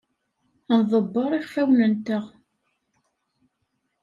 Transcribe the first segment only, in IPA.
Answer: n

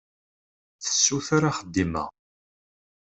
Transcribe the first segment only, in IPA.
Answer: θ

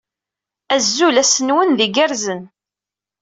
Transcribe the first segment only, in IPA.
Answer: æ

